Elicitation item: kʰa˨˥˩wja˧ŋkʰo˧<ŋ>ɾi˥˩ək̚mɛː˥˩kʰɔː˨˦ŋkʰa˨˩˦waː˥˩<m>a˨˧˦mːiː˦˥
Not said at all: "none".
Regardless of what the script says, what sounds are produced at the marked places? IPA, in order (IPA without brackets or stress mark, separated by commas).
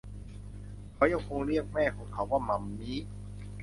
ŋ, m